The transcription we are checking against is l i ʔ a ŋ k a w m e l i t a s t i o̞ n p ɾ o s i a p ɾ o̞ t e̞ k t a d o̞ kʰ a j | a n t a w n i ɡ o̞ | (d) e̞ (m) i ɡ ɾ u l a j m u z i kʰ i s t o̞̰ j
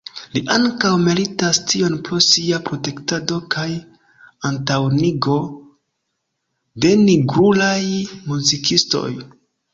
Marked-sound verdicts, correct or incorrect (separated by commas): correct, incorrect